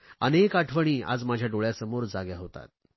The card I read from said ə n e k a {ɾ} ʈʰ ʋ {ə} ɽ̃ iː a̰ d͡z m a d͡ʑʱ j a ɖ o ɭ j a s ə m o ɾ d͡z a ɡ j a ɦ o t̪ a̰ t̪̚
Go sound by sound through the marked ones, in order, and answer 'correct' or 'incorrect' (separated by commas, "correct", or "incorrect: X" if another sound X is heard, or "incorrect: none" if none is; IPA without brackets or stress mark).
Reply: incorrect: none, correct